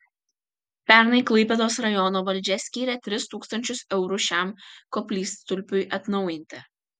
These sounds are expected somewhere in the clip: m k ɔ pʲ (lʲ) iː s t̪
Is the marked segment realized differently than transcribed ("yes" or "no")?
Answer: no